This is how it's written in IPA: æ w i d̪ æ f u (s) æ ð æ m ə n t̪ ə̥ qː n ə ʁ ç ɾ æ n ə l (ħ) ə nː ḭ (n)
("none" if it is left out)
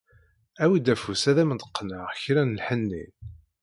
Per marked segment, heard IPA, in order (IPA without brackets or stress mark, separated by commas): s, ħ, n